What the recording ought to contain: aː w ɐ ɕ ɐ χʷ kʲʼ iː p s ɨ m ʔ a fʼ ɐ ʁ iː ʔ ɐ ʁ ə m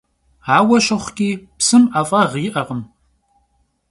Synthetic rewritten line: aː w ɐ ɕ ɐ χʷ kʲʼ iː p s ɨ m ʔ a fʼ ɐ ʁ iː ʔ ɐ ʁ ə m